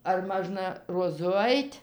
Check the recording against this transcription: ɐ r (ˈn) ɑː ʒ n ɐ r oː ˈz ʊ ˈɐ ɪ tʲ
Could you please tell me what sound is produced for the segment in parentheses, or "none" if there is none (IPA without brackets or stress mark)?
m